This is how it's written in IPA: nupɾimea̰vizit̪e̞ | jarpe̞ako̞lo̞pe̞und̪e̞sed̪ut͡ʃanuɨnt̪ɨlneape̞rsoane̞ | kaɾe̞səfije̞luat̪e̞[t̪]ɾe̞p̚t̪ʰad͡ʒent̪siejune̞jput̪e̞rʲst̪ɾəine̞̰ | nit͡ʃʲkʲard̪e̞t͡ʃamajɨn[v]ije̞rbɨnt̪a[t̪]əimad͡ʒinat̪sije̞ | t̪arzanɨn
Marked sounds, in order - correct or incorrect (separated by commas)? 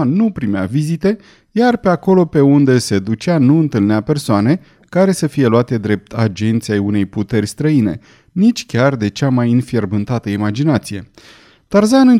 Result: incorrect, incorrect, correct